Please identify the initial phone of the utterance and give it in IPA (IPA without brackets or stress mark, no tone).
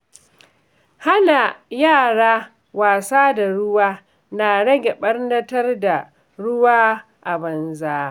h